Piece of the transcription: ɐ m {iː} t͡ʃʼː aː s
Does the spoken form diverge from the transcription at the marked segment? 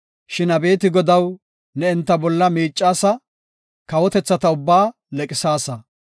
no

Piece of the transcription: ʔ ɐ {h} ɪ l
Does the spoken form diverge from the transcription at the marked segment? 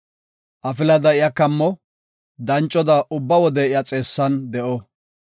yes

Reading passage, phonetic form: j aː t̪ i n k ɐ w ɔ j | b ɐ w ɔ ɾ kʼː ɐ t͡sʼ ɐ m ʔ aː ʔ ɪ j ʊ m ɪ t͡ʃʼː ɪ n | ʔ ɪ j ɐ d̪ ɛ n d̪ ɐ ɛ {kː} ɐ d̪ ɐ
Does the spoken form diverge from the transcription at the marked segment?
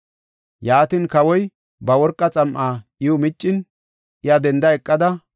yes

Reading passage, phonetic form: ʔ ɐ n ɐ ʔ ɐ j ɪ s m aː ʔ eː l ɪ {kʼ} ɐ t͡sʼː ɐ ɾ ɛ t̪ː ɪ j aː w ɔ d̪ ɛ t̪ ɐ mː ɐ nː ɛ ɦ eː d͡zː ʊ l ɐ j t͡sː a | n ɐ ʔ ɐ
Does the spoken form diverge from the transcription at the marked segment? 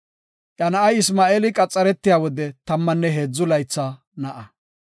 no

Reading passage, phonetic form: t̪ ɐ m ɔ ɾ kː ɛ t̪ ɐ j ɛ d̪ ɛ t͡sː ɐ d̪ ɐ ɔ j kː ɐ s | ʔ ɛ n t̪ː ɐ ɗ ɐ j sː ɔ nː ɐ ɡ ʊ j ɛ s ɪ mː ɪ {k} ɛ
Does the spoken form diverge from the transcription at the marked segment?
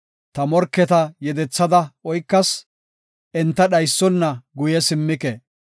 no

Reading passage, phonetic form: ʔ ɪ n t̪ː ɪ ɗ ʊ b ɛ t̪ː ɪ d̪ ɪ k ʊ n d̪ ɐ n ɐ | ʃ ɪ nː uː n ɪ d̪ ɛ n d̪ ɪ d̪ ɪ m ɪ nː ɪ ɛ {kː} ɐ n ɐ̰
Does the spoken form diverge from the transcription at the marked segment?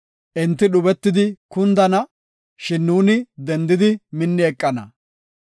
yes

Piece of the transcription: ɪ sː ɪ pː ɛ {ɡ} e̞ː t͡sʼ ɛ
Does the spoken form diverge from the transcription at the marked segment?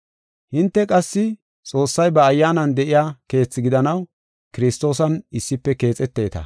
yes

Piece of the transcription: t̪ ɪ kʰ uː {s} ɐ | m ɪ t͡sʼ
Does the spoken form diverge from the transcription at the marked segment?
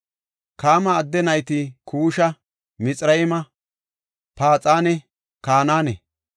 yes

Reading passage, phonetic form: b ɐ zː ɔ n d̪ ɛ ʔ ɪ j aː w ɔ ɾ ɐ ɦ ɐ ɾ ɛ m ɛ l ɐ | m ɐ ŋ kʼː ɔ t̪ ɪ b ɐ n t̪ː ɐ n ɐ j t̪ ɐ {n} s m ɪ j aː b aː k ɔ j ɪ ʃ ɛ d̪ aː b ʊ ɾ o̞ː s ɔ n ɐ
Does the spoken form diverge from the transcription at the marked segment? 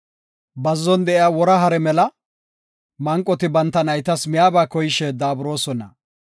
yes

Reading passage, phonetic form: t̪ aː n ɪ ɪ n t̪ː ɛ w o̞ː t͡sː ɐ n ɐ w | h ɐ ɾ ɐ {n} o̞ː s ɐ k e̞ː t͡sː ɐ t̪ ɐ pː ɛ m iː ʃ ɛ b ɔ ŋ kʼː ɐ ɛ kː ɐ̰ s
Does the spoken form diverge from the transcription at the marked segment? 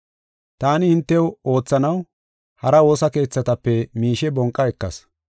yes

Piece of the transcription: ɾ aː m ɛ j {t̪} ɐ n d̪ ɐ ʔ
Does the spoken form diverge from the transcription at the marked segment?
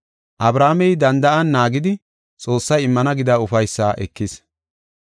yes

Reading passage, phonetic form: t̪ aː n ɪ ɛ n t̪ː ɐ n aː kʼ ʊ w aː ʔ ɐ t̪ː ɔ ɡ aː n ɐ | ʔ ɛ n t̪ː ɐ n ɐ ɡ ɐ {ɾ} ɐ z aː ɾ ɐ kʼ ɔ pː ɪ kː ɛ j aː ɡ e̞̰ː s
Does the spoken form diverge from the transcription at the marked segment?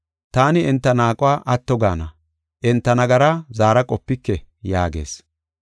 no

